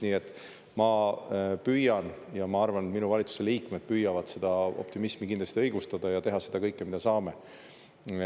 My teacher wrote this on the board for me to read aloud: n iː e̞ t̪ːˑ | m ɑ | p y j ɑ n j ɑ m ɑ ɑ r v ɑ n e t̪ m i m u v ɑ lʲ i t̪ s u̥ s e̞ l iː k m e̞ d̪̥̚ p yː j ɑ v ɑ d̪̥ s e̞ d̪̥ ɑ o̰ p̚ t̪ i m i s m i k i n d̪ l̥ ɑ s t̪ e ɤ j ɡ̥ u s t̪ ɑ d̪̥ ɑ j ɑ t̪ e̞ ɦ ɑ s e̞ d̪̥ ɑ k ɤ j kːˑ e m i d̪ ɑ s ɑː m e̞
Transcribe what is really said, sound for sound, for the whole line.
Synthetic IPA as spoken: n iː e̞ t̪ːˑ | m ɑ | p y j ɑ n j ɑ m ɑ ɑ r v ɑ n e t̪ m i n u v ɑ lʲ i t̪ s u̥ s e̞ l iː k m e̞ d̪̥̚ p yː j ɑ v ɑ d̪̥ s e̞ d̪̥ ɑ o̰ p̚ t̪ i m i s m i k i n d̪ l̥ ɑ s t̪ i ɤ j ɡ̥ u s t̪ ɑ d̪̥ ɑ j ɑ t̪ e̞ ɦ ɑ s e̞ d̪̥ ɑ k ɤ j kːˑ e m i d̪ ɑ s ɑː m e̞